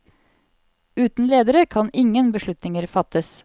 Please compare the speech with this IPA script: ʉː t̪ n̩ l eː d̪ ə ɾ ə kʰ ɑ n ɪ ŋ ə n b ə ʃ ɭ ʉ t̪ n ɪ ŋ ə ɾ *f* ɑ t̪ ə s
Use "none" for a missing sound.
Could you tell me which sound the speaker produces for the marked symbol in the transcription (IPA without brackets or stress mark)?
f